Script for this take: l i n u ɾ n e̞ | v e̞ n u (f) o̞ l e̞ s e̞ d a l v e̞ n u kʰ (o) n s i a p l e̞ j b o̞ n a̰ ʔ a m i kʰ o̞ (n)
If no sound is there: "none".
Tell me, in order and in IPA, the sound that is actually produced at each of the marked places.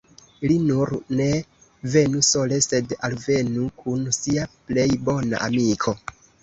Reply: s, u, none

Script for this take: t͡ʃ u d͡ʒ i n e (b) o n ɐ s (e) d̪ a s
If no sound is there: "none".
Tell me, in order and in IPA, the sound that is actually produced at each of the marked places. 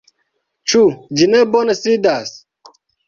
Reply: b, i

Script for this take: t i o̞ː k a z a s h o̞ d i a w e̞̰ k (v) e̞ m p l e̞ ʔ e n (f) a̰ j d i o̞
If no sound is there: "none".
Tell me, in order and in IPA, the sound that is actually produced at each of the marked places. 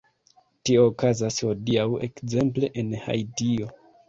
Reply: z, h

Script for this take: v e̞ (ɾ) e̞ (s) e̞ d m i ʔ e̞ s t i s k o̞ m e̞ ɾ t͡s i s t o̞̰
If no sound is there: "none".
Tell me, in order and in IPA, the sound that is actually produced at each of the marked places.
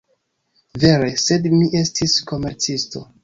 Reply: ɾ, s

